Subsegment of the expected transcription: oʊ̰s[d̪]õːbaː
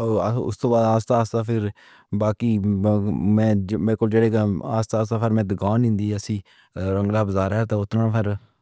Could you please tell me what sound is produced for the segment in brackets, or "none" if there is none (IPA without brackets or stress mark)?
t̪